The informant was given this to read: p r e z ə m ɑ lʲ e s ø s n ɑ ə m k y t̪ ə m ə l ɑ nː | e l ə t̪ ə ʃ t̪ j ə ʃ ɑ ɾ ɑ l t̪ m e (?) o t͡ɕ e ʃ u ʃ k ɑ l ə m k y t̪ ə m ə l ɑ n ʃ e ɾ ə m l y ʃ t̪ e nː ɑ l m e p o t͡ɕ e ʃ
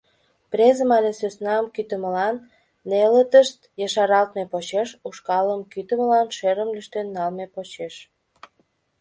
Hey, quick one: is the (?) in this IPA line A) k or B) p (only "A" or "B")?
B